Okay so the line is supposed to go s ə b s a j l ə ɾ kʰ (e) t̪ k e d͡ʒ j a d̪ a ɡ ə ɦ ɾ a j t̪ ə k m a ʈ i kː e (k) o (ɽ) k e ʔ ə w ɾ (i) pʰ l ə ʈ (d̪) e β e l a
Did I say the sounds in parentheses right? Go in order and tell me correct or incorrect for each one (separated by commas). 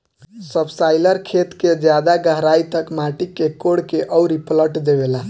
correct, correct, correct, correct, correct